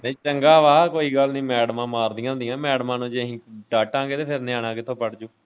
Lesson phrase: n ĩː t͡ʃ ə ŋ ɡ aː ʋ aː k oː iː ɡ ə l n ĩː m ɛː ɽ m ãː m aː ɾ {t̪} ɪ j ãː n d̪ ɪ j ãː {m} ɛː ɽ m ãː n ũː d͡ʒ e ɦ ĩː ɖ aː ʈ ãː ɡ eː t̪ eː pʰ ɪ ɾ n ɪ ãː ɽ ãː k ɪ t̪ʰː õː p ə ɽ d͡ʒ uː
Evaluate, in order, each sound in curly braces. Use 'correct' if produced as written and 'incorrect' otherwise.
incorrect: d̪, correct

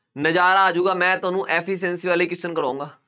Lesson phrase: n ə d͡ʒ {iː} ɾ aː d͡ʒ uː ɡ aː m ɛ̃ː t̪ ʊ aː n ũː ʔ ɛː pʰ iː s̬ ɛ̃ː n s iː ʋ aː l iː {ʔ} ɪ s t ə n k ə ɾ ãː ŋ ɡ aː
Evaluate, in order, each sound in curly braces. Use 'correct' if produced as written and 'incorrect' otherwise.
incorrect: aː, incorrect: k

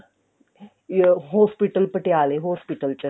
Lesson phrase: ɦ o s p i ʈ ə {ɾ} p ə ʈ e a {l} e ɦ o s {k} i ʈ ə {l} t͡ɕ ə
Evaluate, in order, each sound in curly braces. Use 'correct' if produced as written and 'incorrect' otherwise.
incorrect: l, correct, incorrect: p, correct

